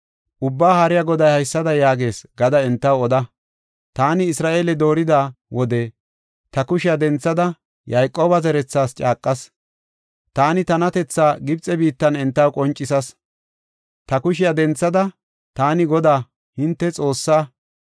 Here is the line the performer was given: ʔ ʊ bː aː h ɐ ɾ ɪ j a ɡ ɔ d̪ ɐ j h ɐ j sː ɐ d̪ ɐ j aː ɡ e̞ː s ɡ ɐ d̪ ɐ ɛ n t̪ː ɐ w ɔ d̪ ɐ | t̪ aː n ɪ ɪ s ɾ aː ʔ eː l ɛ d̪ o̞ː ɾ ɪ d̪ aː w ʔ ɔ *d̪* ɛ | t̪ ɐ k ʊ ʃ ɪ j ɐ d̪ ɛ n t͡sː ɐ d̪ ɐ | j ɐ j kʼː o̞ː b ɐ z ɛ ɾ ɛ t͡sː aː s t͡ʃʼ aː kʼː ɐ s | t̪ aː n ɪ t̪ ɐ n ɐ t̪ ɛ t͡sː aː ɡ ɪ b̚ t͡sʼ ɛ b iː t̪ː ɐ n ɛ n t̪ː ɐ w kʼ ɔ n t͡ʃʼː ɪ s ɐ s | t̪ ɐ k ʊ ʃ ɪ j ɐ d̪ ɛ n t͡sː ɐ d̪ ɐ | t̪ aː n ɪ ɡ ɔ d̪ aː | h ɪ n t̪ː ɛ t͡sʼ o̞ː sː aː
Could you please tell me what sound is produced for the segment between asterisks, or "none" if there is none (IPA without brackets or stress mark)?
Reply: d̪